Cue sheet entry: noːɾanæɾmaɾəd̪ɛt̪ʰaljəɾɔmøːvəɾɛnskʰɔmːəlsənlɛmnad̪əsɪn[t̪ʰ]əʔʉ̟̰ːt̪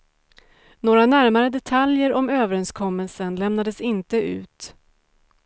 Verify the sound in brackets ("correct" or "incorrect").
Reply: incorrect